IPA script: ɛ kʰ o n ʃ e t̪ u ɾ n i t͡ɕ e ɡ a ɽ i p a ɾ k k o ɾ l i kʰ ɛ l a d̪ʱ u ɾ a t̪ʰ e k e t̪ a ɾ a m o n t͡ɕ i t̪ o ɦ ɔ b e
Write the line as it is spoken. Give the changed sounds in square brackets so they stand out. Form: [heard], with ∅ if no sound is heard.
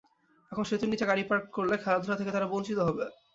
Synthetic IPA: ɛ kʰ o n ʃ e t̪ u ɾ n i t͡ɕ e ɡ a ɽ i p a ɾ k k o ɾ l [e] kʰ ɛ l a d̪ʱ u ɾ a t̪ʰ e k e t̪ a ɾ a [b] o n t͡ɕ i t̪ o ɦ ɔ b e